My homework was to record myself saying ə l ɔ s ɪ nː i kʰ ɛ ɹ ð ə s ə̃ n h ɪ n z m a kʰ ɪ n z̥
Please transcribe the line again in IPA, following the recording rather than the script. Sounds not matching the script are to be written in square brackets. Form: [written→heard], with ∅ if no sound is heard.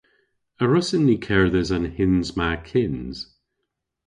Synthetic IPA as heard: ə [l→ɹ] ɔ s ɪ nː i kʰ ɛ ɹ ð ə [s→z] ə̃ n h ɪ n z m a kʰ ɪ n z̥

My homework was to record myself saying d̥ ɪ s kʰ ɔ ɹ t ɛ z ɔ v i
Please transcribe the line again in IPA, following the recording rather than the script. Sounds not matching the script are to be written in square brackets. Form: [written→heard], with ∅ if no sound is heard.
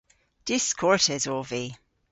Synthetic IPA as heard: d̥ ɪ s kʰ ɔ ɹ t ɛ z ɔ v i

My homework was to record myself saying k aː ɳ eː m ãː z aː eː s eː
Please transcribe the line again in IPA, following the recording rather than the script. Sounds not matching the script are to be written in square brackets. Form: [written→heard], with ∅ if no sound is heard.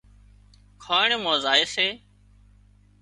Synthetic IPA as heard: [k→kʰ] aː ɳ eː m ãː z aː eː s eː

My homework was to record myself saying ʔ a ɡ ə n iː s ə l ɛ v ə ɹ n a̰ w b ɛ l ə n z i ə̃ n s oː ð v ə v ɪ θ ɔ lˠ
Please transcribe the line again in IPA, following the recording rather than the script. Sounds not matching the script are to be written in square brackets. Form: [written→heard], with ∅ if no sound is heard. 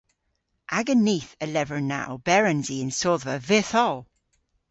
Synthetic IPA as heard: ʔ a ɡ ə n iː [s→θ] ə l ɛ v ə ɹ n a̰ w b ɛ [l→ɹ] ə n z i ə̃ n s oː ð v ə v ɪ θ ɔ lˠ

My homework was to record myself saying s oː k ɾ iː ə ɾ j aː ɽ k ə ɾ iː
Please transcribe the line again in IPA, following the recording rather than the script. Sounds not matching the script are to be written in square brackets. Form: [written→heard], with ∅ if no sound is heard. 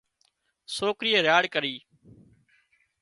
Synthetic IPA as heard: s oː k ɾ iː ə ɾ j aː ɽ k ə ɾ iː

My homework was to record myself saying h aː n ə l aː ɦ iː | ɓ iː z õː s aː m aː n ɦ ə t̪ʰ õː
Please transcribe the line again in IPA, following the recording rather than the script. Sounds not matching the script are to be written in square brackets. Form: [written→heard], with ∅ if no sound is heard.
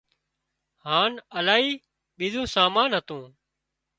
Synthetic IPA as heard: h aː n ə l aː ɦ iː | ɓ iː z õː s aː m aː n ɦ ə [t̪ʰ→t̪] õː

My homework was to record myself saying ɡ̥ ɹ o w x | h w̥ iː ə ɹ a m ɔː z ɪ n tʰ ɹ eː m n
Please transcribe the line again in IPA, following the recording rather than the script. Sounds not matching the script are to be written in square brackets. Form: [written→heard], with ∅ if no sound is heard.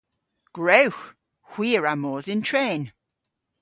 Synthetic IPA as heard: ɡ̥ ɹ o w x | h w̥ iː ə ɹ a m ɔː z ɪ n tʰ ɹ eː [m→∅] n

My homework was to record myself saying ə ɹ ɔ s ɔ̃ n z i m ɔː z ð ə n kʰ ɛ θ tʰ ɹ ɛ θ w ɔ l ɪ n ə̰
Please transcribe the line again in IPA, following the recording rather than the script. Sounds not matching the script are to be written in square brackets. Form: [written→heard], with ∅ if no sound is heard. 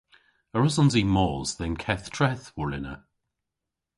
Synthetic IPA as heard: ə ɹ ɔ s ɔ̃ n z i m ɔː z ð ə n kʰ ɛ θ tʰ ɹ ɛ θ w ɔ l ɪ n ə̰

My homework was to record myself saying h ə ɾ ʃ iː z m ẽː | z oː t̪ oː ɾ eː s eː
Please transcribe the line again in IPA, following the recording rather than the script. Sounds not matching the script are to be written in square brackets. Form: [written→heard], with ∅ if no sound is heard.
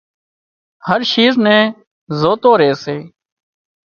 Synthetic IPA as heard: h ə ɾ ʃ iː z [m→n] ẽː | z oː t̪ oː ɾ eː s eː

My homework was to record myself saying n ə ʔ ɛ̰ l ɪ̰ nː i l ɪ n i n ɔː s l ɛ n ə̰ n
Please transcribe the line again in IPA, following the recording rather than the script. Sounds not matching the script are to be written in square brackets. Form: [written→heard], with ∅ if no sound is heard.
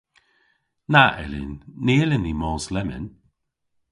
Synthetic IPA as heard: n [ə→a] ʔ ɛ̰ l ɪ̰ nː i l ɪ n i [n→m] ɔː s l ɛ [n→m] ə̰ n

